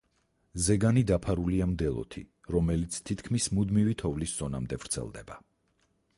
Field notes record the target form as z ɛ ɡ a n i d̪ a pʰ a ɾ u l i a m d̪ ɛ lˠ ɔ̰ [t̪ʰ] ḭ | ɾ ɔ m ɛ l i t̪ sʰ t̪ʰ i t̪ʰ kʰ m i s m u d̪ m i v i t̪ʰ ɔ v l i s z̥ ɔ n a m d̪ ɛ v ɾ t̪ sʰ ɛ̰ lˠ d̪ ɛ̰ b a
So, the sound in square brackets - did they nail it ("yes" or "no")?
yes